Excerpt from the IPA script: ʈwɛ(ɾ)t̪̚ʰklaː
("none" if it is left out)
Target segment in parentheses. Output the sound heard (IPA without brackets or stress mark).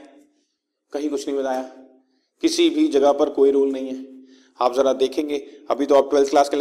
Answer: l